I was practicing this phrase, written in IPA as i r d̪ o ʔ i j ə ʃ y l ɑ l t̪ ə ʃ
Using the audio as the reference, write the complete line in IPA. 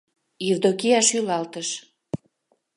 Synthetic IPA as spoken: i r d̪ o k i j ɑ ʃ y l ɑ l t̪ ə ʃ

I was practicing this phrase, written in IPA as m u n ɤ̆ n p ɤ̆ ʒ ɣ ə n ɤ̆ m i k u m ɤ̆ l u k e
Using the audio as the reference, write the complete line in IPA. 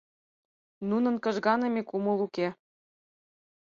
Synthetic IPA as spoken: n u n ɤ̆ n k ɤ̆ ʒ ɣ ɑ n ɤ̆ m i k u m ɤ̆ l u k e

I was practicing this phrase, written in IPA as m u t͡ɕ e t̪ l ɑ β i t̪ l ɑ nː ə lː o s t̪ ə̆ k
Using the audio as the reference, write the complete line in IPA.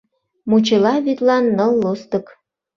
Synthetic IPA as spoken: m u t͡ɕ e l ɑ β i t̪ l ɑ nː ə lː o s t̪ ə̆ k

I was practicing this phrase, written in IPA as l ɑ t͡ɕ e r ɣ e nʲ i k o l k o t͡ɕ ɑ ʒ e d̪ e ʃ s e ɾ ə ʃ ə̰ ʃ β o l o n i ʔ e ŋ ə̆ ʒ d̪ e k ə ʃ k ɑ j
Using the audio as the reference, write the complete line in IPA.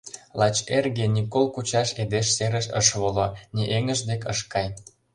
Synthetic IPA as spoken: l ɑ t͡ɕ e r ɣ e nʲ i k o l k u t͡ɕ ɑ ʃ e d̪ e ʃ s e ɾ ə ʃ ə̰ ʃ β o l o n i ʔ e ŋ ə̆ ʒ d̪ e k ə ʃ k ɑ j

